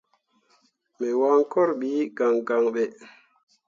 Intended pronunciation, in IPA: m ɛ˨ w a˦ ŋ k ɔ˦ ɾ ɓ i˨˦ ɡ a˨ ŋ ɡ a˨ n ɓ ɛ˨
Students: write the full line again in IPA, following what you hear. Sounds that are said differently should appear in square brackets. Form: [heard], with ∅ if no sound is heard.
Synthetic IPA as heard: m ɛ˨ w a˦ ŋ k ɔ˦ ɾ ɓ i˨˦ ɡ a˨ ŋ ɡ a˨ [ŋ] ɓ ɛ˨